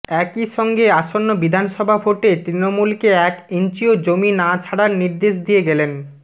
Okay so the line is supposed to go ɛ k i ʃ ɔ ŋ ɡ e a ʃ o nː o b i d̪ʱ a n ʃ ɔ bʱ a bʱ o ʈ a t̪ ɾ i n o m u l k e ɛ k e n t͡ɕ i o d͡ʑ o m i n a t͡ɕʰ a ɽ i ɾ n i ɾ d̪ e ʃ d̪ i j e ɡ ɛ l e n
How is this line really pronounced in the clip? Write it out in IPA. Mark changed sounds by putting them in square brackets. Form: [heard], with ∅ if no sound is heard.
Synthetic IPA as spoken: ɛ k i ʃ ɔ ŋ ɡ e a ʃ o nː o b i d̪ʱ a n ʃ ɔ bʱ a bʱ o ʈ [e] t̪ ɾ i n o m u l k e ɛ k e n t͡ɕ i o d͡ʑ o m i n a t͡ɕʰ a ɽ [a] ɾ n i ɾ d̪ e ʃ d̪ i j e ɡ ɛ l e n